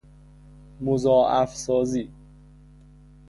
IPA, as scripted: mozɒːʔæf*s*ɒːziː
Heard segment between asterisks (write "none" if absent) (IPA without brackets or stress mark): s